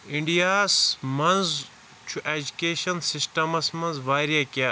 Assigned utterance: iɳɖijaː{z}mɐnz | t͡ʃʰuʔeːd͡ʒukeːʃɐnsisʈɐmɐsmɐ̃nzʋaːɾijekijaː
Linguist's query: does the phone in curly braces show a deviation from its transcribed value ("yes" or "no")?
yes